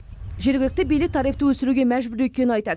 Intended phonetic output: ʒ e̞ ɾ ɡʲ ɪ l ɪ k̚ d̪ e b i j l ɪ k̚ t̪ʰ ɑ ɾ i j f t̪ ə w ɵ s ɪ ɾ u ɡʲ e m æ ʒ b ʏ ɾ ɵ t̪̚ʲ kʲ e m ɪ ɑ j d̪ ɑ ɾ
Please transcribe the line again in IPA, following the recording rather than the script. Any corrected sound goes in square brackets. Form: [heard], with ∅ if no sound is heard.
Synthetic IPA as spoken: ʒ e̞ ɾ ɡʲ ɪ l ɪ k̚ [t̪] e b i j l ɪ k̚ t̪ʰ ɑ ɾ i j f t̪ ə w ɵ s ɪ ɾ u ɡʲ e m æ ʒ b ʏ ɾ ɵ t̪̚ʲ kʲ e [n] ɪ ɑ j [t̪] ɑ ɾ